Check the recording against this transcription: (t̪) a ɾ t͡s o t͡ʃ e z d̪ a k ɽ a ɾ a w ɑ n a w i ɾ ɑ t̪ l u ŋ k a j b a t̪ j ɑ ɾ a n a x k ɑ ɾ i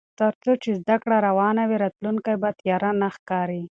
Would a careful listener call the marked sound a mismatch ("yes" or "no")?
no